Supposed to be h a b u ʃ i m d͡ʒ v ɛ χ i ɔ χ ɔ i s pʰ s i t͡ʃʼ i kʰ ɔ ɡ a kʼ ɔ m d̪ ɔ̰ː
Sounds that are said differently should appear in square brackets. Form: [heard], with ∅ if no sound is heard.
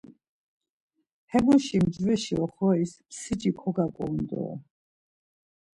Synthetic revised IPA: h [ɛ] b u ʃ i m d͡ʒ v ɛ [ʃ] i ɔ χ ɔ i s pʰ s i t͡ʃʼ i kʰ ɔ ɡ a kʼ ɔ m d̪ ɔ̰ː